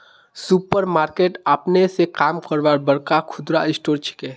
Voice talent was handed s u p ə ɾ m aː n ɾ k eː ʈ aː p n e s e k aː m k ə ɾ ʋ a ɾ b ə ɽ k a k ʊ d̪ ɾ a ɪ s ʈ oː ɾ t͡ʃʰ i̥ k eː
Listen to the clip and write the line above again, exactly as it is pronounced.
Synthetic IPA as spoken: s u p ə ɾ m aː ɾ k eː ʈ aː p n e s e k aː m k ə ɾ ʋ a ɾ b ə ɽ k a kʰ ʊ d̪ ɾ a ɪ s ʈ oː ɾ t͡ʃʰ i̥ k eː